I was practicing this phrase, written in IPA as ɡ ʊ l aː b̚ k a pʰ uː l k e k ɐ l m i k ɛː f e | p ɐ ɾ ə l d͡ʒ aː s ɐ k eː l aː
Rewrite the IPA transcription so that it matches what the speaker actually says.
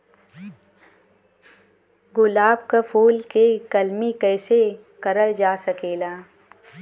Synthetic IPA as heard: ɡ ʊ l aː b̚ k a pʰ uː l k e k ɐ l m i k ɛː s e | k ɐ ɾ ə l d͡ʒ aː s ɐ k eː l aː